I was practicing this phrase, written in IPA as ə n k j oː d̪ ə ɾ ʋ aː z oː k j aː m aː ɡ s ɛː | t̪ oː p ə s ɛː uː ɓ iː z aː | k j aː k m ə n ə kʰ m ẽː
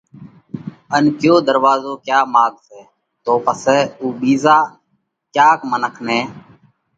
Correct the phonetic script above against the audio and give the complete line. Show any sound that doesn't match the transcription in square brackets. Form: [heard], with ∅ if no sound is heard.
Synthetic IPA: ə n k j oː d̪ ə ɾ ʋ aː z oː k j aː m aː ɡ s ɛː | t̪ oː p ə s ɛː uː ɓ iː z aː | k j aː k m ə n ə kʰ [n] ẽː